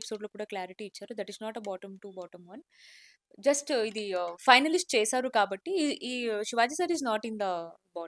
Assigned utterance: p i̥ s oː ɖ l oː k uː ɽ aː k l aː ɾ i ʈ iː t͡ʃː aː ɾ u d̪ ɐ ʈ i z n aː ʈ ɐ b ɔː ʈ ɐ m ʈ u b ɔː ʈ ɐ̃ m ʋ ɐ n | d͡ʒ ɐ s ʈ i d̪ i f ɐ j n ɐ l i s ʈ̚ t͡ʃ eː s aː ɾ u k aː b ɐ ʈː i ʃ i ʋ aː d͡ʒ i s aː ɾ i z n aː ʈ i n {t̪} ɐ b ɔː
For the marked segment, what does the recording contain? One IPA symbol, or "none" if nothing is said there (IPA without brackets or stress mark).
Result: d̪